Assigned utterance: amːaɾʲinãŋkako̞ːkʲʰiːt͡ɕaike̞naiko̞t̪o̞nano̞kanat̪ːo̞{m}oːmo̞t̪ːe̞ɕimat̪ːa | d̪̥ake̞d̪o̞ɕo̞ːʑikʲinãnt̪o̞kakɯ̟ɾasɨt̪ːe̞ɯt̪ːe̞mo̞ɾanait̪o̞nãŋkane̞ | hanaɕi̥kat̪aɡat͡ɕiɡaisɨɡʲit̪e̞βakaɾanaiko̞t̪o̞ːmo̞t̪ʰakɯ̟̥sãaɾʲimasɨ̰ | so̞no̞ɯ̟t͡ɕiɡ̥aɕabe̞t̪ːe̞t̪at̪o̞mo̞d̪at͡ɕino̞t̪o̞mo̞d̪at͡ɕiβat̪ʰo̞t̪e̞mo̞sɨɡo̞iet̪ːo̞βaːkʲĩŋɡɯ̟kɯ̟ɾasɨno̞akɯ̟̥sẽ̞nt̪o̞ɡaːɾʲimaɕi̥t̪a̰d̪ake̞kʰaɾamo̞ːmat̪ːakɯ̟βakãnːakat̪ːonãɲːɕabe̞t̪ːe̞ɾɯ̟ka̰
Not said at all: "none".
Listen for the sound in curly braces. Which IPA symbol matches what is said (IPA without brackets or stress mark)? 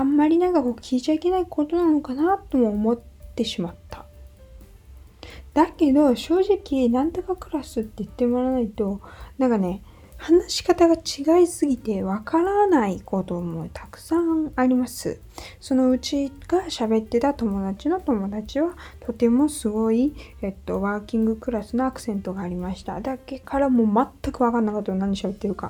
m